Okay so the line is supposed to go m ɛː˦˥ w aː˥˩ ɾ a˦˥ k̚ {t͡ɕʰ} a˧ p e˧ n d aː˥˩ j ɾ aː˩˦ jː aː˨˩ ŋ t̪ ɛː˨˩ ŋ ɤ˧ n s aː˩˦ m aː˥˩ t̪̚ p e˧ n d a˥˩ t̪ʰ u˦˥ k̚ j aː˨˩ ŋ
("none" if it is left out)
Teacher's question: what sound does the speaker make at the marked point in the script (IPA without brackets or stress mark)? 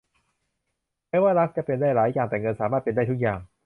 t͡ɕ